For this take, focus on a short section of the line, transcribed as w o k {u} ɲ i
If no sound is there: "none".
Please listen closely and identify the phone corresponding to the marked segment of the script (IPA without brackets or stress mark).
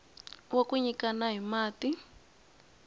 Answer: u